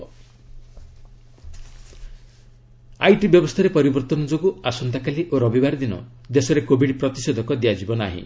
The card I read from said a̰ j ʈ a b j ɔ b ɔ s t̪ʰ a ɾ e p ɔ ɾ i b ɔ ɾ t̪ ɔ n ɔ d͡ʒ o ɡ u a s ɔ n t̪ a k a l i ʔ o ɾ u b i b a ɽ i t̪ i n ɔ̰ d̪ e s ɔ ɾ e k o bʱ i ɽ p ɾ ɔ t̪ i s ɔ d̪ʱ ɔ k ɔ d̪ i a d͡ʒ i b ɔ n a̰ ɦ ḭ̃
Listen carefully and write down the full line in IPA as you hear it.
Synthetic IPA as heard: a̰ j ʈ i b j ɔ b ɔ s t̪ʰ a ɾ e p ɔ ɾ i b ɔ ɾ t̪ ɔ n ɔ d͡ʒ o ɡ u a s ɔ n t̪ a k a l i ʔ o ɾ ɔ b i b a ɾ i d̪ i n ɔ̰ d̪ e s ɔ ɾ e k o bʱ i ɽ p ɾ ɔ t̪ i s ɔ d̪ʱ ɔ k ɔ d̪ i a d͡ʒ i b ɔ n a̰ ɦ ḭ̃

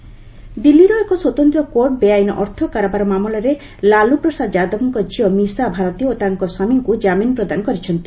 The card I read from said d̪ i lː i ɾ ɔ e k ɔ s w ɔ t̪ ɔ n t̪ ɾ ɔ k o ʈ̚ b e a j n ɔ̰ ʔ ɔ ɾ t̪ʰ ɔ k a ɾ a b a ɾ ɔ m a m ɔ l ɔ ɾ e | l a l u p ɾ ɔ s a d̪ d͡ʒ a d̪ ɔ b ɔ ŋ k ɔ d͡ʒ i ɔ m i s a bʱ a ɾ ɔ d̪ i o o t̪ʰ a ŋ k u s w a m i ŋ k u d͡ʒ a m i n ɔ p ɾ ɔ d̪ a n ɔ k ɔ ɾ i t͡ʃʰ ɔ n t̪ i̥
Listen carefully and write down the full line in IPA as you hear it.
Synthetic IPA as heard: d̪ i lː i ɾ ɔ e k ɔ s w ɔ t̪ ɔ n t̪ ɾ ɔ k o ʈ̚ b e a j n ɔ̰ ʔ ɔ ɾ t̪ʰ ɔ k a ɾ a b a ɾ ɔ m a m ɔ l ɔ ɾ e | l a l u p ɾ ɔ s a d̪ d͡ʒ a d̪ ɔ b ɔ ŋ k ɔ d͡ʒ i ɔ m i s a bʱ a ɾ ɔ t̪ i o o t̪ a ŋ k ɔ s w a m i ŋ k u d͡ʒ a m i n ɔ p ɾ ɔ d̪ a n ɔ k ɔ ɾ i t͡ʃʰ ɔ n t̪ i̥

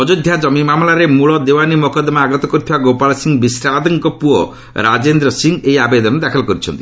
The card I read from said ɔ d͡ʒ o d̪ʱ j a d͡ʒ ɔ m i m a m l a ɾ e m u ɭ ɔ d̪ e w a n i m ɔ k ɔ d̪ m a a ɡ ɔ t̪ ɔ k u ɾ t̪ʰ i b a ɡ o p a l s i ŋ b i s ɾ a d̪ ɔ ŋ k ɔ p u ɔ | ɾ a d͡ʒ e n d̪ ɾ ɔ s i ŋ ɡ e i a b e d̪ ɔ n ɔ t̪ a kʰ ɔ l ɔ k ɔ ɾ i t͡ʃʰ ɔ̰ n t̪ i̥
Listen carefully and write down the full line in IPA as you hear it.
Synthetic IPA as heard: ɔ d͡ʒ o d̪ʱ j a d͡ʒ ɔ m i m a m l a ɾ e m u ɭ ɔ d̪ e w a n i m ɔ k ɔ d̪ m a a ɡ ɔ t̪ ɔ k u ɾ t̪ʰ i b a ɡ o p a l s i ŋ b i s ɾ a d̪ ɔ ŋ k ɔ p u ɔ | ɾ a d͡ʒ e n d̪ ɾ ɔ s i ŋ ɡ e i a b e d̪ ɔ n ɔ d̪ a kʰ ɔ l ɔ k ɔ ɾ i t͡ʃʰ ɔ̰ n t̪ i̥

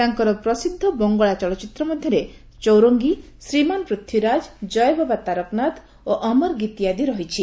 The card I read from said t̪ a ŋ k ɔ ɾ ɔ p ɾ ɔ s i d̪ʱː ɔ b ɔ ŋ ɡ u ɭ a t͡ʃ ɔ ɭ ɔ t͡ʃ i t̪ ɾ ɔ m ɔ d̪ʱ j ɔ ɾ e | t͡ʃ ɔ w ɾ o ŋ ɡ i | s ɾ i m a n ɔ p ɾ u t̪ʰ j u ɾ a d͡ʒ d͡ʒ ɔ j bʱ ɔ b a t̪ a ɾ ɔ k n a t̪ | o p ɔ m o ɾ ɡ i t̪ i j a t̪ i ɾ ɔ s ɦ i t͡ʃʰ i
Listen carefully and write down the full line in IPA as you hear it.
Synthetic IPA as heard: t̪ a ŋ k ɔ ɾ ɔ p ɾ ɔ s i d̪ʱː ɔ b ɔ ŋ ɡ ɔ ɭ a t͡ʃ ɔ ɭ ɔ t͡ʃ i t̪ ɾ ɔ m ɔ d̪ʱ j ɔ ɾ e | t͡ʃ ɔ w ɾ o ŋ ɡ i | s ɾ i m a n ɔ p ɾ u t̪ʰ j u ɾ a d͡ʒ d͡ʒ ɔ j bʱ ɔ b a t̪ a ɾ ɔ k n a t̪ | o ʔ ɔ m ɔ ɾ ɡ i t̪ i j a d̪ i ɾ ɔ ɦ i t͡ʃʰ i

